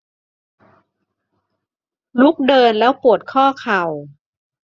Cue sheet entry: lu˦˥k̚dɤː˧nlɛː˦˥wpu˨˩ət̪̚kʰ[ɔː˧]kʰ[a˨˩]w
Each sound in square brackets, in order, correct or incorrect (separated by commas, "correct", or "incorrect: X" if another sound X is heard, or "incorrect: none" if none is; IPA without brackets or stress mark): incorrect: ɔː˥˩, correct